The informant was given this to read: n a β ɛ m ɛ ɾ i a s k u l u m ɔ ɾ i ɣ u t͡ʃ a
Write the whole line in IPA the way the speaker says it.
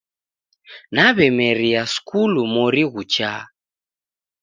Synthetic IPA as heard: n a β ɛ m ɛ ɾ i a s k u l u m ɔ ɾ i ɣ u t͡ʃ a

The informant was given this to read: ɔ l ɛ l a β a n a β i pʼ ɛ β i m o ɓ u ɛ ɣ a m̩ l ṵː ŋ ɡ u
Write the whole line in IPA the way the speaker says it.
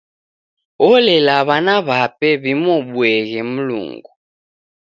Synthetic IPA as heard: ɔ l ɛ l a β a n a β a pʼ ɛ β i m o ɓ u ɛ ɣ ɛ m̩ l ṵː ŋ ɡ u

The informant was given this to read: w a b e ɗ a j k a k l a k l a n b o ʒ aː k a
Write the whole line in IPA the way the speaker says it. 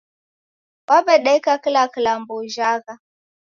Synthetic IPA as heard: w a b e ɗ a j k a k l a k l a m b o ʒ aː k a

